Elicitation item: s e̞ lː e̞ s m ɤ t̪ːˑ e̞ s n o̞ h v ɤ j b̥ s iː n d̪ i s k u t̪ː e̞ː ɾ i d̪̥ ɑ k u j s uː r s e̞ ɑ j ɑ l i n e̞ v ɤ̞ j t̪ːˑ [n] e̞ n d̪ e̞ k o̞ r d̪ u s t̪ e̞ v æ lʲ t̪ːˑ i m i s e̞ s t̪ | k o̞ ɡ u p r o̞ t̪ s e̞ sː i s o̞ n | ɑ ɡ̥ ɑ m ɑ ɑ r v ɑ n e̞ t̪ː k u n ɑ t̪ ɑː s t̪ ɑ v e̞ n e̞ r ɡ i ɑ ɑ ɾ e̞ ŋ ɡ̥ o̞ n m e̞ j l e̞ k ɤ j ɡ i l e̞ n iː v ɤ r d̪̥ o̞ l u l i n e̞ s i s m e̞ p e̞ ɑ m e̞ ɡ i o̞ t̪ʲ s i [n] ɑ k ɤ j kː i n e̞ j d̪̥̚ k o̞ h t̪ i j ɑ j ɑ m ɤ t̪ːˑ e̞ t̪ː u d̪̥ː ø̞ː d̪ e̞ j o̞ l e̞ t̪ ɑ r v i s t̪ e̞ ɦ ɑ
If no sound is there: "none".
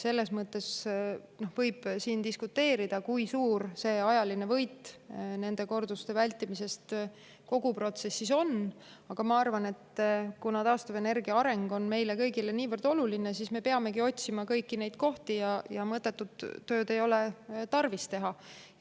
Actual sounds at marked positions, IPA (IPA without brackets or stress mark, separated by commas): n, m